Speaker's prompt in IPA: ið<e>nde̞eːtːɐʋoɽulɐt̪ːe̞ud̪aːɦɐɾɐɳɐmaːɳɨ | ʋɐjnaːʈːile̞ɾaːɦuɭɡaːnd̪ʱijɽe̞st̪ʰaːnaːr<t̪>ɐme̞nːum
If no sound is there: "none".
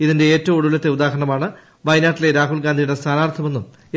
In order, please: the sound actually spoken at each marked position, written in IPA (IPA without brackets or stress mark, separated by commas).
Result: i, t̪ʰ